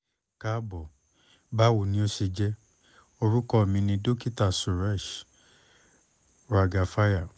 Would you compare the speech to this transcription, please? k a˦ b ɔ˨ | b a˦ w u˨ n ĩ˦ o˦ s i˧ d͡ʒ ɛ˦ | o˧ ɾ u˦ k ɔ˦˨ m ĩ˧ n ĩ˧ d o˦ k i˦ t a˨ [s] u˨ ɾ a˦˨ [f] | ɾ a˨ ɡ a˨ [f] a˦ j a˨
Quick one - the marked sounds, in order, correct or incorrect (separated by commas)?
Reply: correct, incorrect, correct